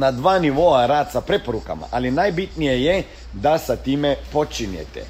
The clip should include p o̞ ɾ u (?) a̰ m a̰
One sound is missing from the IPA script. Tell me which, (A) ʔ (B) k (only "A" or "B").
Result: B